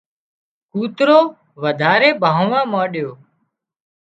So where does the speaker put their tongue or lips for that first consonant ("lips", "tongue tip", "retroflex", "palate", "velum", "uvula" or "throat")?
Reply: velum